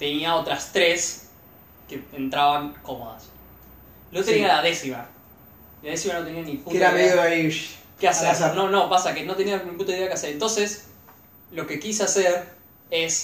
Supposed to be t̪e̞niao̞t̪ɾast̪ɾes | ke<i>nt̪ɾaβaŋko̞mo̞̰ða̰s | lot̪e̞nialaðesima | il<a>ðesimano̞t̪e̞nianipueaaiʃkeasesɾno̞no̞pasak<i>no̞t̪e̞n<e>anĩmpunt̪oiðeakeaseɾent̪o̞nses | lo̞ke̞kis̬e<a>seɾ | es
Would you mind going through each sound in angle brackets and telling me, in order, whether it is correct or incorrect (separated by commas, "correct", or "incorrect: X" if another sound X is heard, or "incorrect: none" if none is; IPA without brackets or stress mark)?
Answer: incorrect: e, correct, incorrect: e, incorrect: i, correct